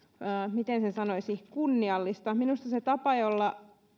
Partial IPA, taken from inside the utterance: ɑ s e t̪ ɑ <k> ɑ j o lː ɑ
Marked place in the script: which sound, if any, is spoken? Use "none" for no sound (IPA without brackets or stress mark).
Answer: p